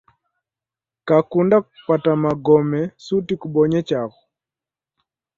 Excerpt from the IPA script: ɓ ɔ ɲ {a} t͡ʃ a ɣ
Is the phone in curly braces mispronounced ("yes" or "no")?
yes